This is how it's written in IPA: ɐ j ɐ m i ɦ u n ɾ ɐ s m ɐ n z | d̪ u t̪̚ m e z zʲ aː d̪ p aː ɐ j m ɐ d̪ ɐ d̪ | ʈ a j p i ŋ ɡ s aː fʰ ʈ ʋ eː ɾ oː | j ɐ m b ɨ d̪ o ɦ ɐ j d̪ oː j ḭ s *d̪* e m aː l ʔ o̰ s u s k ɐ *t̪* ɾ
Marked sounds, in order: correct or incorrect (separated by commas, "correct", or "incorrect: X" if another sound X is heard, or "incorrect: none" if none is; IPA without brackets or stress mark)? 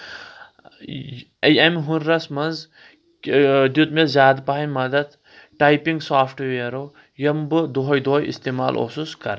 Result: incorrect: t̪, incorrect: none